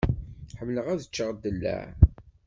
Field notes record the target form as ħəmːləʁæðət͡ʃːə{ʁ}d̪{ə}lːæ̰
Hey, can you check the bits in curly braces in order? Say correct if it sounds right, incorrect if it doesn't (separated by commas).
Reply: correct, correct